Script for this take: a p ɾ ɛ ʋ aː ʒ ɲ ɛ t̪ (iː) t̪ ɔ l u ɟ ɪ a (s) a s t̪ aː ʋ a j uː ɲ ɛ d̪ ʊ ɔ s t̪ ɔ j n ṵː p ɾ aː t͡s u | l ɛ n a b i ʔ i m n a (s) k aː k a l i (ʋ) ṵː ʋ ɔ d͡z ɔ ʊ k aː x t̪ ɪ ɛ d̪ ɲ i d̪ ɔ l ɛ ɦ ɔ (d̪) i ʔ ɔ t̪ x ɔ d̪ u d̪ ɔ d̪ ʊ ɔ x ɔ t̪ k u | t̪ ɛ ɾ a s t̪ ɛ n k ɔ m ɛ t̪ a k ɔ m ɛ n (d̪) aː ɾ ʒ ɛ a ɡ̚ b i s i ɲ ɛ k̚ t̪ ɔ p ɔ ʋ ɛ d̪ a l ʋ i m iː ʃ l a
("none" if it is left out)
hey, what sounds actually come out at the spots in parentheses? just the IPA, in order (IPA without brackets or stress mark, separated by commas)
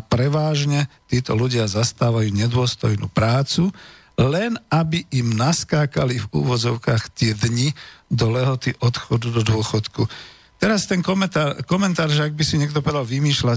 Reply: iː, z, s, v, t̪, t̪